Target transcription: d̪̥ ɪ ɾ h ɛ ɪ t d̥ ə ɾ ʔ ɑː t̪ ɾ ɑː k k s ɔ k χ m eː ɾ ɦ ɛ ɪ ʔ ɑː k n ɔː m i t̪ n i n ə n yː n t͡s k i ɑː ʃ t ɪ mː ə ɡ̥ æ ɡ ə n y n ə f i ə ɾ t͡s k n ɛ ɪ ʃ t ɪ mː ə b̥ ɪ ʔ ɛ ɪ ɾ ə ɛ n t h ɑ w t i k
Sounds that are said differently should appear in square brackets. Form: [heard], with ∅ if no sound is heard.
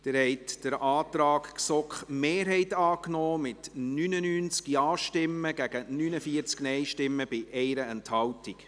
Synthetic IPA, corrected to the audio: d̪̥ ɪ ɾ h ɛ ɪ t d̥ ə ɾ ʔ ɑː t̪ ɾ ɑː k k s ɔ k χ m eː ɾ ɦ ɛ ɪ [t] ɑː k n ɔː m [ɪ] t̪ n [y] n ə n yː n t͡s k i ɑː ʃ t ɪ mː ə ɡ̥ æ ɡ ə n y n ə f i ə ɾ t͡s k n ɛ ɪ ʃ t ɪ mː ə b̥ ɪ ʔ ɛ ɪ ɾ ə ɛ n t h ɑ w t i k